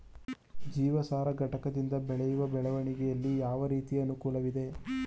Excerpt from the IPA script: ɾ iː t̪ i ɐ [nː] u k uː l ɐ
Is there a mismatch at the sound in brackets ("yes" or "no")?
yes